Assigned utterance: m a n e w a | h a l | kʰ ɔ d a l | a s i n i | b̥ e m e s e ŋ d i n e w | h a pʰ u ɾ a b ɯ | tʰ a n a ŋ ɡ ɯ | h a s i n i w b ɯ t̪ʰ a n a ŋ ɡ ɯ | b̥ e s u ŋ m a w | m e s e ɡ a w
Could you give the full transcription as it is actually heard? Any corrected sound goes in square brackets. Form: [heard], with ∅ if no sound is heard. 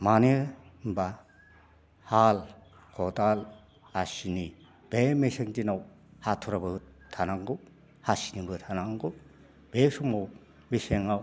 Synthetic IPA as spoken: m a n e [b] a | h a l | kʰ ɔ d a l | a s i n i | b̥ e m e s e ŋ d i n [a] w | h a [tʰ] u ɾ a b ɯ | tʰ a n a ŋ ɡ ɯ | h a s i n i [∅] b ɯ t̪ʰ a n a ŋ ɡ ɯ | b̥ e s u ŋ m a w | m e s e [ŋ] a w